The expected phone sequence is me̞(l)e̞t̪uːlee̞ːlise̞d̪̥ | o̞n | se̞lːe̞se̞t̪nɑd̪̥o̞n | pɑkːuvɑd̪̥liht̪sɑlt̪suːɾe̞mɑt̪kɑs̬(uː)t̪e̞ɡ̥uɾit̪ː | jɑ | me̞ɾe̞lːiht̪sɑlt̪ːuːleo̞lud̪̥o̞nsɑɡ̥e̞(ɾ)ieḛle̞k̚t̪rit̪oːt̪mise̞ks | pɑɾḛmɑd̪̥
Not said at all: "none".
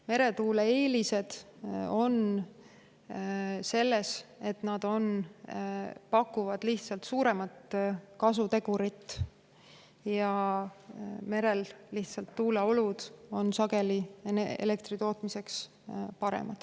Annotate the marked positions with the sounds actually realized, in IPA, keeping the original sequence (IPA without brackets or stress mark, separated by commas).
ɾ, u, l